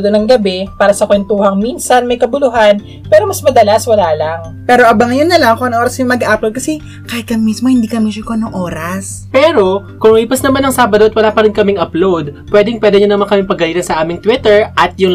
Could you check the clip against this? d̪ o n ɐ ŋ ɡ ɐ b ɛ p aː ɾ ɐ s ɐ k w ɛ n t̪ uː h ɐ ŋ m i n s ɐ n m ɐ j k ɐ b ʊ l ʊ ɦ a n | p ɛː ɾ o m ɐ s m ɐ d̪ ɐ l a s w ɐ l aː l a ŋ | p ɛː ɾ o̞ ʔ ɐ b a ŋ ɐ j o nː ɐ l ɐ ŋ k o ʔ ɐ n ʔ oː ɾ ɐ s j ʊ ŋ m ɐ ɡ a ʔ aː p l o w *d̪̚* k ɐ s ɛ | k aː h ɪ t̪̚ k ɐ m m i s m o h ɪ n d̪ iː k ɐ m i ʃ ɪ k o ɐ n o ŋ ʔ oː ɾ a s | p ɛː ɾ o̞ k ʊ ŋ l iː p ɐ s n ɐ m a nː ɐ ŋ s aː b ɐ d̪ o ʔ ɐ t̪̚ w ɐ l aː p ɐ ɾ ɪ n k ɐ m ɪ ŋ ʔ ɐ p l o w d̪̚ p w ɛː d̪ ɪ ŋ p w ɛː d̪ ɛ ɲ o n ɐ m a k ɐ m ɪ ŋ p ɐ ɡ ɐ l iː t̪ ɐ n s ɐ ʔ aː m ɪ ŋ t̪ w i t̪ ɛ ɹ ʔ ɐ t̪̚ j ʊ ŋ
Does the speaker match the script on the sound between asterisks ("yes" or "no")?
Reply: yes